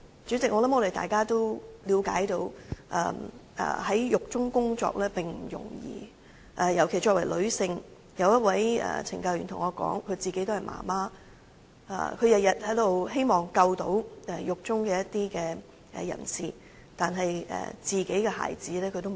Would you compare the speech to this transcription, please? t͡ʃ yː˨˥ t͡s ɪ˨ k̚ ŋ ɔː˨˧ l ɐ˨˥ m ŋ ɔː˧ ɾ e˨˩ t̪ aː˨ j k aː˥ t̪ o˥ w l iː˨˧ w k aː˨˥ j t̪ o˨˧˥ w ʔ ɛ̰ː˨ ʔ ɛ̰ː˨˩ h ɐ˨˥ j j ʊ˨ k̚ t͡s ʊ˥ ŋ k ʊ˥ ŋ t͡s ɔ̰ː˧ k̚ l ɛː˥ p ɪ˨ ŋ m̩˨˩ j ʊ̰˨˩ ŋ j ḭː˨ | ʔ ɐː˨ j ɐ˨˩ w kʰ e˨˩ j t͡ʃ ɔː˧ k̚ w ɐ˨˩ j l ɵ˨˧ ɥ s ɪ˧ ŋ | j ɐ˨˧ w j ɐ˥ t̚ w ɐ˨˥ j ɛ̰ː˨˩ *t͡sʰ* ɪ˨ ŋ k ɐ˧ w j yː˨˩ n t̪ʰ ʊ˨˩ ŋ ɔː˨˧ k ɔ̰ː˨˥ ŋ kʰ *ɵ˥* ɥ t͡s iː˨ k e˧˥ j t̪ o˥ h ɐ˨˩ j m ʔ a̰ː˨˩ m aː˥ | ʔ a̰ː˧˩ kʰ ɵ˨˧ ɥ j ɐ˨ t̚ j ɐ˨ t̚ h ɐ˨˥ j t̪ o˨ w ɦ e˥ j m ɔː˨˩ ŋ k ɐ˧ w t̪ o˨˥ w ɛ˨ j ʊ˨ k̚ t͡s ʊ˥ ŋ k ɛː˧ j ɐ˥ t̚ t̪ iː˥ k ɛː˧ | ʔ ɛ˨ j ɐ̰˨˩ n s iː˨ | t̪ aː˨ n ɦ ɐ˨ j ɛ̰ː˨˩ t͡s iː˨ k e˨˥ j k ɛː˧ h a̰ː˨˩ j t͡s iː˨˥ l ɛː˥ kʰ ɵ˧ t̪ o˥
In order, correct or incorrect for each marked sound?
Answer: correct, incorrect: ɵ˨˧

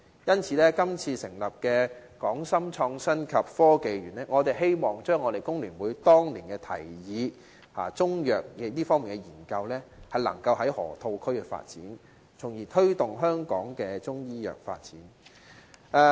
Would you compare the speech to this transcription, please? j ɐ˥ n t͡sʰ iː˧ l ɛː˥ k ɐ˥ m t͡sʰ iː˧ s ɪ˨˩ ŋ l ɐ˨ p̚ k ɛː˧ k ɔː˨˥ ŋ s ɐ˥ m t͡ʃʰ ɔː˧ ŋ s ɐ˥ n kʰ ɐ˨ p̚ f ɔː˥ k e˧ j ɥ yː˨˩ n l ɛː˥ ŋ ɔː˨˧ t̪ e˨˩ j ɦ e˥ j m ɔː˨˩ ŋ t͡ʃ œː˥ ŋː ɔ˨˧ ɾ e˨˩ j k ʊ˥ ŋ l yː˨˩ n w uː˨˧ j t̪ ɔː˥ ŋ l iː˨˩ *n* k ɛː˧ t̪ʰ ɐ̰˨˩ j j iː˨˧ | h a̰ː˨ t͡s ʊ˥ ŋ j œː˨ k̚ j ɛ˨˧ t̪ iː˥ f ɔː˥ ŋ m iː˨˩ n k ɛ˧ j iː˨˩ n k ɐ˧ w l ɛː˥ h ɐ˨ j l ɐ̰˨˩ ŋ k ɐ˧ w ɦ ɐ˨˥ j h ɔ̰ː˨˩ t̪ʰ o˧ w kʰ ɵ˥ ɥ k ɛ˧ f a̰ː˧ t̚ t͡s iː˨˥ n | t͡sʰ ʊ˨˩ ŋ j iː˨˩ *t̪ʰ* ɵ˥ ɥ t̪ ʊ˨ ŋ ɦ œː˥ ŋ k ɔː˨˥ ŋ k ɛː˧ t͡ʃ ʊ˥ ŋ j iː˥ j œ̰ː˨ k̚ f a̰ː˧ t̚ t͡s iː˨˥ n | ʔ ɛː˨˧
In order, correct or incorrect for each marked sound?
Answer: correct, correct

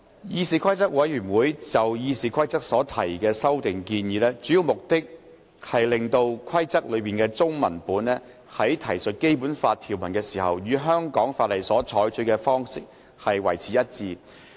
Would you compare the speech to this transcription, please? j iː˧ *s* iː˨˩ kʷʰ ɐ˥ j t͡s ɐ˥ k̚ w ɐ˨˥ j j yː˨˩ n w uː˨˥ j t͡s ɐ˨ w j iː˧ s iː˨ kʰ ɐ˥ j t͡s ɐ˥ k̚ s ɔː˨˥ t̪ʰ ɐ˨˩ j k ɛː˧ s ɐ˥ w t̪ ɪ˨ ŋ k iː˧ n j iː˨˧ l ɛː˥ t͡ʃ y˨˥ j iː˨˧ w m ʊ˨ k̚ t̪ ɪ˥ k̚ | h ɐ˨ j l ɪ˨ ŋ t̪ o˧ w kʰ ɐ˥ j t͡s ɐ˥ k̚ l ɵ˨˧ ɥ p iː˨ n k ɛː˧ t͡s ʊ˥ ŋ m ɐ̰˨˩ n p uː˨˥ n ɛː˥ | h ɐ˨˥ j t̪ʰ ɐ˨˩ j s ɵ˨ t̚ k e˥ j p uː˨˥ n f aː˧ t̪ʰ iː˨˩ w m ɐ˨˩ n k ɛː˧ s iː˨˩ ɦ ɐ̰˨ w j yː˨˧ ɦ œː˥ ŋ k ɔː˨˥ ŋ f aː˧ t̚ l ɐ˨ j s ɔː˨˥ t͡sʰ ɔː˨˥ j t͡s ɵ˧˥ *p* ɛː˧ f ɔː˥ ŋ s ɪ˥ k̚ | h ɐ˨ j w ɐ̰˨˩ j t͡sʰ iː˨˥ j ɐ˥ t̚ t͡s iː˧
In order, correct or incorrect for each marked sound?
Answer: correct, incorrect: k

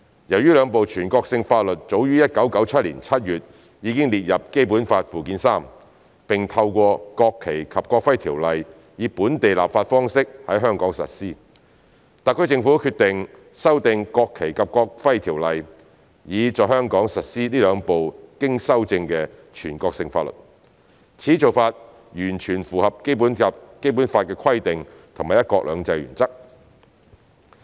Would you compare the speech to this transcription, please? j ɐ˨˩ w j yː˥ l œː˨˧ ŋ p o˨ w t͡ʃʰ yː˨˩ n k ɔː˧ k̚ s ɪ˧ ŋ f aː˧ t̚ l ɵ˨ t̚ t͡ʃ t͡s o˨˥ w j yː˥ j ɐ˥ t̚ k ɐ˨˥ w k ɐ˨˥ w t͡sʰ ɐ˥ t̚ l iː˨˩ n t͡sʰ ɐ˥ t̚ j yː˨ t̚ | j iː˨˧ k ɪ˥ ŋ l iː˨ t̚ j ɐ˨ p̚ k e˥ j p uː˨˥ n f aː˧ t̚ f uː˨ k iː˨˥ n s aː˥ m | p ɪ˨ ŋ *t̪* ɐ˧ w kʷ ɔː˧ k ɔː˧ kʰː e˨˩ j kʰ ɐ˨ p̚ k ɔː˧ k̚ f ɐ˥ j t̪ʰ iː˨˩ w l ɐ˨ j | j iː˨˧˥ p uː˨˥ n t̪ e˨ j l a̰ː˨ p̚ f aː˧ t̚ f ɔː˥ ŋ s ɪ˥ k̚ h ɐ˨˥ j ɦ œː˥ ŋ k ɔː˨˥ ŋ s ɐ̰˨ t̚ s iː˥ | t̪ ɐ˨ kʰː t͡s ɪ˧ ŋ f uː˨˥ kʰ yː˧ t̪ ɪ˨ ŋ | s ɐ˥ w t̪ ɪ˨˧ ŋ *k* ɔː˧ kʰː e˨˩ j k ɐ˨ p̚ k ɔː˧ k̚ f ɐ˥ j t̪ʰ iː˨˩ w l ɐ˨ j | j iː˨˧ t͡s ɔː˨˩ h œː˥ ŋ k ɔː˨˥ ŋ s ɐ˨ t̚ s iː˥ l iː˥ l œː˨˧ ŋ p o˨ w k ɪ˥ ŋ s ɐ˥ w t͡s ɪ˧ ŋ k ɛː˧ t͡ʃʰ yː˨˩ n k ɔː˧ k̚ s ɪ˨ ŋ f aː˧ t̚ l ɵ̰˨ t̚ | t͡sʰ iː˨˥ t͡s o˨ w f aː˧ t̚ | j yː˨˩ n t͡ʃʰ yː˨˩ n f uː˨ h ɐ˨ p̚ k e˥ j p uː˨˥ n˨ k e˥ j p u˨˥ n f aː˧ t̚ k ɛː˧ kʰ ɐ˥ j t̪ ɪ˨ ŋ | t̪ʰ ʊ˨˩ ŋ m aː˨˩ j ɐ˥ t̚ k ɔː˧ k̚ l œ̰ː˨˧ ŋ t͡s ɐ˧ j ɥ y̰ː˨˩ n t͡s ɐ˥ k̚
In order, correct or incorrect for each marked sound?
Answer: incorrect: t̪ʰ, correct

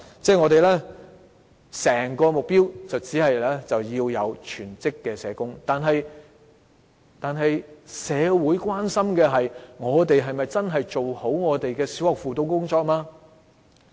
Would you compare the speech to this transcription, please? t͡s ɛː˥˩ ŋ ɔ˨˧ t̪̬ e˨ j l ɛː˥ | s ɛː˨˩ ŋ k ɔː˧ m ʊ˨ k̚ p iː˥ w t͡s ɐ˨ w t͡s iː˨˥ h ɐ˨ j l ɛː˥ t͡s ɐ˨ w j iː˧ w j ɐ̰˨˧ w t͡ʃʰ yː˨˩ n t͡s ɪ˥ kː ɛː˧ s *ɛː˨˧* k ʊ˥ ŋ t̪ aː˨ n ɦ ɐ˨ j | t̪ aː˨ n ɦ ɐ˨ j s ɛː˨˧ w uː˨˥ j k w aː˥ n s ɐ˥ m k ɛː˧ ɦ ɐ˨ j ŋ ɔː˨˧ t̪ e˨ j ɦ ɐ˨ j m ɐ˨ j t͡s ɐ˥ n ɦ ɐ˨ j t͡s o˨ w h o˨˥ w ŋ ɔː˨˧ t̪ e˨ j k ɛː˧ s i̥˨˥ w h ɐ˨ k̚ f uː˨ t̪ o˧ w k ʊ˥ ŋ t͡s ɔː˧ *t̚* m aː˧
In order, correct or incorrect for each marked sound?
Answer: correct, incorrect: k̚

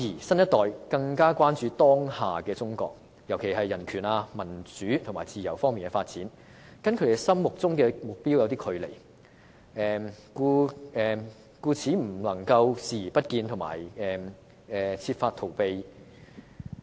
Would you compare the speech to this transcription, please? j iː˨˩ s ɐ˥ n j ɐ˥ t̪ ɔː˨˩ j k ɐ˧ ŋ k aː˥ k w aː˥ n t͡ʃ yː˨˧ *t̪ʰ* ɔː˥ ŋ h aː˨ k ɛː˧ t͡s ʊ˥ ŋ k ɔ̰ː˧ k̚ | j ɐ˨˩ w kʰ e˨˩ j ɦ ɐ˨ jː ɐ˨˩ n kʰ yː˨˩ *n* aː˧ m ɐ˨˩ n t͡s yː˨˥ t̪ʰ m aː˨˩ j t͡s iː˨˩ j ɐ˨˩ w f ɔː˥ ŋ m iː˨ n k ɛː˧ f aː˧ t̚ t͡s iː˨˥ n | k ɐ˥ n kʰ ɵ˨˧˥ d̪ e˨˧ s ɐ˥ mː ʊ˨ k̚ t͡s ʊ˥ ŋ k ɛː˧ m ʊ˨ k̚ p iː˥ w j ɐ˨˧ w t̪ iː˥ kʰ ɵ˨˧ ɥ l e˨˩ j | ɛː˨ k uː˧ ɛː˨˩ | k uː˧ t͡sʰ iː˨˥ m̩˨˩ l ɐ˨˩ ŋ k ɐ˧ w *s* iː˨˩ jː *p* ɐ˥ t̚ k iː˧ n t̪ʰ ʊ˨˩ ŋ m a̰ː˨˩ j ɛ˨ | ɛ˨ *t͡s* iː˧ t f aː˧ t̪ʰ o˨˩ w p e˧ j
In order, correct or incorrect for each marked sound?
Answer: incorrect: t̪, correct, correct, correct, incorrect: t͡sʰ

